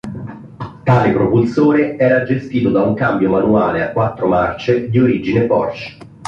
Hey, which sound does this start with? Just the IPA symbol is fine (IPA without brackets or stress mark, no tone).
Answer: t̪